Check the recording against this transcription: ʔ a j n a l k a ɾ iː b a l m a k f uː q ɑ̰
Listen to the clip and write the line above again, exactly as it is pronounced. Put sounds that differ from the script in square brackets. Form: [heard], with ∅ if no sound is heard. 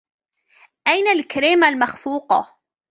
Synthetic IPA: ʔ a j n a l k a ɾ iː [m] a l m a [x] f uː q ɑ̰